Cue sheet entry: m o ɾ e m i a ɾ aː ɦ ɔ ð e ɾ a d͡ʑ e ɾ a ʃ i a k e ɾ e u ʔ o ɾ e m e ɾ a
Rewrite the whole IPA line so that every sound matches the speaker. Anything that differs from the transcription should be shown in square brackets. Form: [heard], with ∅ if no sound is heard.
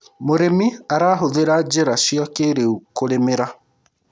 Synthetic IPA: m o ɾ e m i a ɾ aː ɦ [o] ð e ɾ a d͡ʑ e ɾ a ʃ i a k e ɾ e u [k] o ɾ e m e ɾ a